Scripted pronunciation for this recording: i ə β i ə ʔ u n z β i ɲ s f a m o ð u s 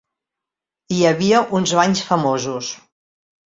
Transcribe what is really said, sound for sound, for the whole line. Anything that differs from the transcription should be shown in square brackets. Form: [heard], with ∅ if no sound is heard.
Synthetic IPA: i ə β i ə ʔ u n z β [a] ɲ s f [ə] m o [z] u s